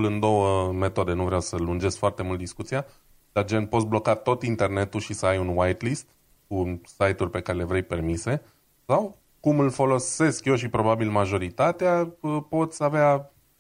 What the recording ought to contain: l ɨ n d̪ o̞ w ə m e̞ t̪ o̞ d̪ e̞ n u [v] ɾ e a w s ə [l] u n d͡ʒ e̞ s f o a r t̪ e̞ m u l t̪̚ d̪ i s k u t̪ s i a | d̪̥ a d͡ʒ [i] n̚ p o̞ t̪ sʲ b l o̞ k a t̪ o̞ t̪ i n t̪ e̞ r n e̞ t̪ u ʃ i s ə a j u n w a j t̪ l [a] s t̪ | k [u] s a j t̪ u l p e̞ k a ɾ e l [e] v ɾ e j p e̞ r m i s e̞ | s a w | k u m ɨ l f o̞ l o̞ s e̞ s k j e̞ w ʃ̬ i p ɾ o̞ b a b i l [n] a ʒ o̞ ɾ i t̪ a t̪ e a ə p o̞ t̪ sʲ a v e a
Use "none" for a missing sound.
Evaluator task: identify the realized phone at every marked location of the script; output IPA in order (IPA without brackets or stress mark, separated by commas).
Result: v, l, e, i, u, e, m